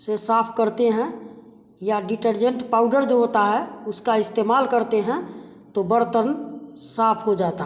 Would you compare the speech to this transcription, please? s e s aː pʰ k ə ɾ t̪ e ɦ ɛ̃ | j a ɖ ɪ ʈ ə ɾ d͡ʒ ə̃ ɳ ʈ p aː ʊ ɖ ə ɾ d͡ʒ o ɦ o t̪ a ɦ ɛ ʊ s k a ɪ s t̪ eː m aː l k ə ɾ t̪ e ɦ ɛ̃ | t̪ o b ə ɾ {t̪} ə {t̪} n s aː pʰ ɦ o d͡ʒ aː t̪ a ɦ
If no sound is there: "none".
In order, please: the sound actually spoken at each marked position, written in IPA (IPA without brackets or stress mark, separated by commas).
t̪, none